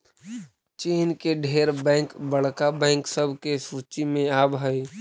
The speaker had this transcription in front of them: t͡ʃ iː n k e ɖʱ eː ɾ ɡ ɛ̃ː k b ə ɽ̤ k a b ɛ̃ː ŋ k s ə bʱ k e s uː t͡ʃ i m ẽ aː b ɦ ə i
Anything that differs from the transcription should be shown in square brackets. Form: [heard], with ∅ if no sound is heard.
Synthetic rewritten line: t͡ʃ iː n k e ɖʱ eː ɾ [b] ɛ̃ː k b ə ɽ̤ k a b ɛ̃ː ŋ k s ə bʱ k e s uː t͡ʃ i m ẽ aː b ɦ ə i